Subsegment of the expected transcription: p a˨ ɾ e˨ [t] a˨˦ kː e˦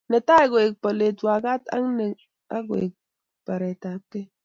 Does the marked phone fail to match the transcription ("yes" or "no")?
no